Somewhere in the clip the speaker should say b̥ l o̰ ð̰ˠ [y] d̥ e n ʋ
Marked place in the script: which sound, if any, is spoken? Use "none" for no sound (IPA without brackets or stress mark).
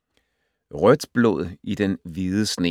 i